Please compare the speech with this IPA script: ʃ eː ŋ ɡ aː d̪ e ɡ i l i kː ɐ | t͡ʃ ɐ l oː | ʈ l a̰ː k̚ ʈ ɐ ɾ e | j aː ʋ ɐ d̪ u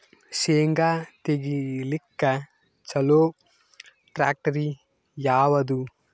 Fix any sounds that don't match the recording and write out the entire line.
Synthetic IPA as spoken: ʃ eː ŋ ɡ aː t̪ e ɡ i l i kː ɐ | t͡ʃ ɐ l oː | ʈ ɾ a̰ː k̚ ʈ ɐ ɾ i | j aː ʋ ɐ d̪ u